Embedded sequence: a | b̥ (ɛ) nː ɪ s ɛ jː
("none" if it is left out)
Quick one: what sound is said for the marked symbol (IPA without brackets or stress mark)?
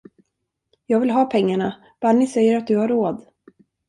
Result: a